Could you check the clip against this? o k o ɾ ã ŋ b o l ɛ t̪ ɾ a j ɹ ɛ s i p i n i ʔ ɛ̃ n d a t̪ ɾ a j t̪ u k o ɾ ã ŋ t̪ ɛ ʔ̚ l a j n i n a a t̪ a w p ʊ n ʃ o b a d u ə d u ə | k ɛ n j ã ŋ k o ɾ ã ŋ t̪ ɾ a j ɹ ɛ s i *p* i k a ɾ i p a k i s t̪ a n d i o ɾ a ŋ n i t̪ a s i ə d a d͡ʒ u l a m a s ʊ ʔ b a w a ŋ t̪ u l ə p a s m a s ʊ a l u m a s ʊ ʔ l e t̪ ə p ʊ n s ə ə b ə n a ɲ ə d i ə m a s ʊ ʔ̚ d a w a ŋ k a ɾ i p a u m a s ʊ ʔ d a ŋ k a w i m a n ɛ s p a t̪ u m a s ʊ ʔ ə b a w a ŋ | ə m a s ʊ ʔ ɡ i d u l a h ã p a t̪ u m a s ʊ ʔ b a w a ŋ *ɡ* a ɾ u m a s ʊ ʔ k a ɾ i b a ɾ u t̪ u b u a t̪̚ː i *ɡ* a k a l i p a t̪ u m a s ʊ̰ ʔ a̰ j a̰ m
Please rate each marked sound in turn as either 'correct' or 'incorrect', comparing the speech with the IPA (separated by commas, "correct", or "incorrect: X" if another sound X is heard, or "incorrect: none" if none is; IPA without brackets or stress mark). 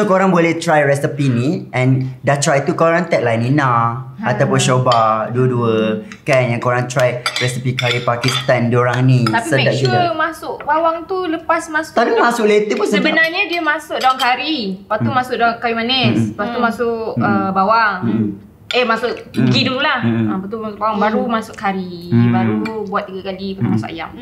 correct, incorrect: b, correct